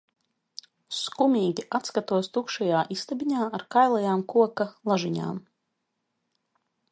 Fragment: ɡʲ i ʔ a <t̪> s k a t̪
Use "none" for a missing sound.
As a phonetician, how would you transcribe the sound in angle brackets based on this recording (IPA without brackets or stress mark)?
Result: t̪